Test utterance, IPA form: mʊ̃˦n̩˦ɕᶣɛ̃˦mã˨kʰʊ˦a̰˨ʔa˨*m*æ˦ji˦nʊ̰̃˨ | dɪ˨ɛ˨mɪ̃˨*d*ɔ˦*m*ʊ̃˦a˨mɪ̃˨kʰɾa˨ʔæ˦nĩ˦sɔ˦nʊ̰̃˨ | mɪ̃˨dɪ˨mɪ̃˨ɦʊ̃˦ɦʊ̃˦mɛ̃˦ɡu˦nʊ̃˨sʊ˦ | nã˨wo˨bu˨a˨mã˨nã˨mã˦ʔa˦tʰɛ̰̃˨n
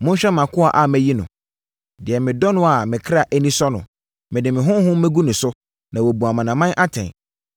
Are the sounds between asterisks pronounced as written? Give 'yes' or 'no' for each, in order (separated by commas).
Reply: yes, yes, no